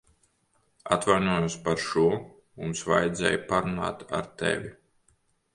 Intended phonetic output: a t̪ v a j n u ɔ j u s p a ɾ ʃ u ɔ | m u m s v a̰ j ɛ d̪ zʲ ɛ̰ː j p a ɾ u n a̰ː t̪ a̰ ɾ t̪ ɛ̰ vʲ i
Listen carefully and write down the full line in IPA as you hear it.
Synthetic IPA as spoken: a t̪ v a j n u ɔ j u s p a ɾ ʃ u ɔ | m u m s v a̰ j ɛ d̪ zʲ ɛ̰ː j p a ɾ u n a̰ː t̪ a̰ ɾ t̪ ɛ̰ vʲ i